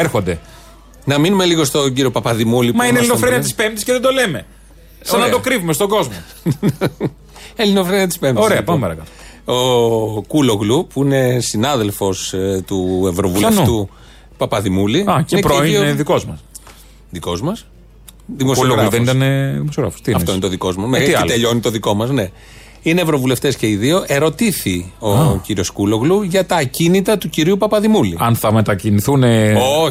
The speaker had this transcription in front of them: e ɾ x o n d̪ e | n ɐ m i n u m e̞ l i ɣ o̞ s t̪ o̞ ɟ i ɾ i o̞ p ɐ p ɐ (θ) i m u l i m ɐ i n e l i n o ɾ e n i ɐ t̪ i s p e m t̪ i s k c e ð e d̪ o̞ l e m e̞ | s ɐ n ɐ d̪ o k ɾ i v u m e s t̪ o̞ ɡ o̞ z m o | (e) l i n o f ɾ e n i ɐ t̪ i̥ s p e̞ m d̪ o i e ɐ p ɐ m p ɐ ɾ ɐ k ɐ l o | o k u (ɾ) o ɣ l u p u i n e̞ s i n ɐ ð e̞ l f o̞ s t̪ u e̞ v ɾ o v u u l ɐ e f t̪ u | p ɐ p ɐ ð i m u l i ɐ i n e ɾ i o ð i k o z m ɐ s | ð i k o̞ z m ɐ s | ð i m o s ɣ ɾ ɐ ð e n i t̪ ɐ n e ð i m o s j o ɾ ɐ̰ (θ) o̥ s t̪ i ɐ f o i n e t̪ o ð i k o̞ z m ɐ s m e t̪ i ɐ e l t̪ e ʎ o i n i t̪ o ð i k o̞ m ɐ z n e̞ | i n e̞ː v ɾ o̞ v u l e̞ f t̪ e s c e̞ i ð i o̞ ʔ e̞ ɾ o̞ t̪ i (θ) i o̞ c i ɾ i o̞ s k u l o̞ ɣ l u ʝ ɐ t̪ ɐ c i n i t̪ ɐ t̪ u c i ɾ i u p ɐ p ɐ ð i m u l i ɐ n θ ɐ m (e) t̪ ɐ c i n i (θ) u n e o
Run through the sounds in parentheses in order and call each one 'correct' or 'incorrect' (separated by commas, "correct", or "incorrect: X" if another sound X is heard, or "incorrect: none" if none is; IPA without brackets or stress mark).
incorrect: ð, correct, incorrect: l, incorrect: f, correct, correct, correct